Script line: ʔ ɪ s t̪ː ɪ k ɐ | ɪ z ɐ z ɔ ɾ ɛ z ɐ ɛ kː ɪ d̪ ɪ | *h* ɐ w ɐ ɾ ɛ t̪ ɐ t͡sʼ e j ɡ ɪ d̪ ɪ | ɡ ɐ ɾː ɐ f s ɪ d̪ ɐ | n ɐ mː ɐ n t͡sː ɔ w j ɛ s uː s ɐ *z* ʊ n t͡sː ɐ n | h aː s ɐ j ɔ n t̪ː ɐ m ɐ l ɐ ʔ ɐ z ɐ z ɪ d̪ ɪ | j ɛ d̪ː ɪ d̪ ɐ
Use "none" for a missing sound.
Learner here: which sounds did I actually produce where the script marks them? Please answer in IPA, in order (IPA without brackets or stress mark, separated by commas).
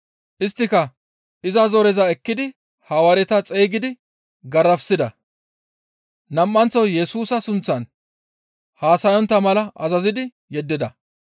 h, s